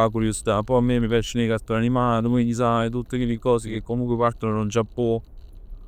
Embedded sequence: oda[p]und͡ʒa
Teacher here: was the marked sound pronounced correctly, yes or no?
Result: no